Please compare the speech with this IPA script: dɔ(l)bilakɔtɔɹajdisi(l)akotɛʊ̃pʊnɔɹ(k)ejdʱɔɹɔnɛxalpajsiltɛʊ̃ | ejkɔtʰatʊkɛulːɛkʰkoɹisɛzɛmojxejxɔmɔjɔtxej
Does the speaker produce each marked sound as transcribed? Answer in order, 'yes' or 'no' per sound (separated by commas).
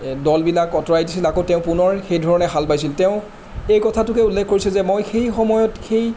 yes, yes, no